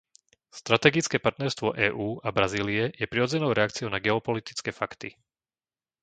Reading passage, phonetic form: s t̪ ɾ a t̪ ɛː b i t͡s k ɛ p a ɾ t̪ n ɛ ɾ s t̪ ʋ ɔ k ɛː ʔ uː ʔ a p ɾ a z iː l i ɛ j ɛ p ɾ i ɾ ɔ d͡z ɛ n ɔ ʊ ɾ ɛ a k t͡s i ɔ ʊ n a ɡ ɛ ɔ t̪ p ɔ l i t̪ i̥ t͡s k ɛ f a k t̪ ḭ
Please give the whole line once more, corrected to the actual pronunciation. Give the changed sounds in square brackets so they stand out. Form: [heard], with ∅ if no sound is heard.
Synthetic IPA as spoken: s t̪ ɾ a t̪ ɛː [ɡ] i t͡s k ɛ p a ɾ t̪ n ɛ ɾ s t̪ ʋ ɔ [ʔ] ɛː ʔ uː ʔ a [b] ɾ a z iː l i ɛ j ɛ p ɾ i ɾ ɔ d͡z ɛ n ɔ ʊ ɾ ɛ a k t͡s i ɔ ʊ n a ɡ ɛ ɔ [∅] p ɔ l i t̪ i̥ t͡s k ɛ f a k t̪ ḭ